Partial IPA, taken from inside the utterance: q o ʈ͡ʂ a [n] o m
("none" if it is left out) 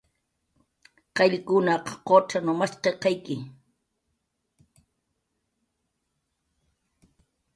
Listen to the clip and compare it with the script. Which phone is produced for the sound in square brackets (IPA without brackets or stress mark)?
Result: n